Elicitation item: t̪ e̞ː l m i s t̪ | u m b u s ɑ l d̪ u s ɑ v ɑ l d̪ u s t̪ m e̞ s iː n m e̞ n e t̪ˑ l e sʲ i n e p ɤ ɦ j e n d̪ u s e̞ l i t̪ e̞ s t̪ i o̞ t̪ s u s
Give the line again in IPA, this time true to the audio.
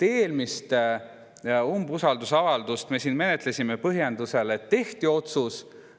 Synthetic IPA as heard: t̪ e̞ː l m i s t̪ | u m b u s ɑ l d̪ u s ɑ v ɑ l d̪ u s t̪ m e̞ s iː n m e̞ n e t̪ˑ l e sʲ i m e p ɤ ɦ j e n d̪ u s e̞ l e t̪ e̞ h t̪ i o̞ t̪ s u s